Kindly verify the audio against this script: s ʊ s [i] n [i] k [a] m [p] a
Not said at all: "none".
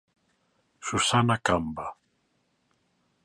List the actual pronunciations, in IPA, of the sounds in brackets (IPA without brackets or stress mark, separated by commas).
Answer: a, a, a, b